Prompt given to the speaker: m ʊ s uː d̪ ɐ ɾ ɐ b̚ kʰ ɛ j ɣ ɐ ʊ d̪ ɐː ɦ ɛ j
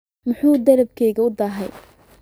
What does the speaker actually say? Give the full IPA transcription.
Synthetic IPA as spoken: m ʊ ħ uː d̪ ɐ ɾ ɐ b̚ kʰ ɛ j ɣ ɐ ʊ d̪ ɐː ɦ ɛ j